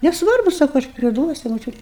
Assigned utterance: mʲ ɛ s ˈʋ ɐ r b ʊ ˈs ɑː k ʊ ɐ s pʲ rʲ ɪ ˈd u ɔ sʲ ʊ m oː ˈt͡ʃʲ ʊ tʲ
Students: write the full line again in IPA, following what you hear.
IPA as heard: nʲ ɛ s ˈʋ ɐ r b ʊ ˈs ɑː k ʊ ɐ ʃ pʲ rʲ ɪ ˈd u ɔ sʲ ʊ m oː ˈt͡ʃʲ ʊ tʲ